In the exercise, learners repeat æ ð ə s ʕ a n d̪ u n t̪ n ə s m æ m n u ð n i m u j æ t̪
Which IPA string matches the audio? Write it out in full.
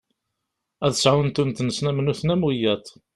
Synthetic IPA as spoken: æ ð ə s ʕ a n t̪ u n t̪ n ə s n æ m n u θ n æ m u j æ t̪